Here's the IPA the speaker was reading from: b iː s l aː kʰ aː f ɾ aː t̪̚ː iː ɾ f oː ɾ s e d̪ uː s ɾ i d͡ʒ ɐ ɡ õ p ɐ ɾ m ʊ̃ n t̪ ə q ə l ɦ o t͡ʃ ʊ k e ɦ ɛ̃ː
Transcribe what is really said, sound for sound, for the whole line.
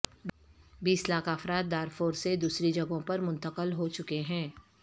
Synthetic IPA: b iː s l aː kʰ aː f ɾ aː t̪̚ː aː ɾ f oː ɾ s e d̪ uː s ɾ i d͡ʒ ɐ ɡ õ p ɐ ɾ m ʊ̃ n t̪ ə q ə l ɦ o t͡ʃ ʊ k e ɦ ɛ̃ː